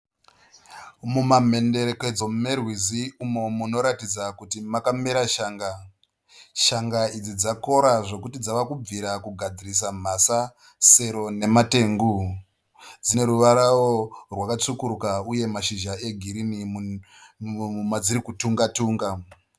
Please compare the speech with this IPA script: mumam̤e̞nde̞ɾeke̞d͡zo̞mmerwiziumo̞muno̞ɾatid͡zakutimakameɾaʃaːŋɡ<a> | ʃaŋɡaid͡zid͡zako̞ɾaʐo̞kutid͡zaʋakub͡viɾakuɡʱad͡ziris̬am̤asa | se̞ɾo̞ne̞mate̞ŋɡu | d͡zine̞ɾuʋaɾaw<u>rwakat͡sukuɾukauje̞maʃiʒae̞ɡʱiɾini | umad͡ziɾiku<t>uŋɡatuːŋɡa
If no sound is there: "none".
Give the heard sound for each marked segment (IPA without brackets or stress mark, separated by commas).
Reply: a, o, t